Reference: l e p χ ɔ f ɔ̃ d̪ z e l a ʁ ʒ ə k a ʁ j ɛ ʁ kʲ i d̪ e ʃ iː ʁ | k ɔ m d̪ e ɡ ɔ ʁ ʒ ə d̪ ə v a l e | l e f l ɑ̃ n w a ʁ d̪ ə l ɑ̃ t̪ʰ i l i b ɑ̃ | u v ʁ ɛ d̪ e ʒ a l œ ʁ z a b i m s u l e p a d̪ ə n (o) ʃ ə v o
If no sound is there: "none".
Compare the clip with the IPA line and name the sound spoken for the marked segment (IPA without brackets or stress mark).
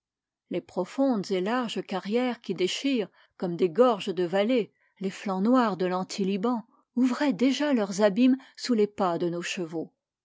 o